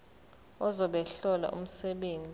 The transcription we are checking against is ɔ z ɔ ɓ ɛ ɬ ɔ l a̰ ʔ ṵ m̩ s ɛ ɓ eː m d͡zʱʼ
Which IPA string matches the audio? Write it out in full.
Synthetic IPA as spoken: ɔ z ɔ ɓ ɛ ɬ ɔ l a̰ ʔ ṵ m̩ s ɛ ɓ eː n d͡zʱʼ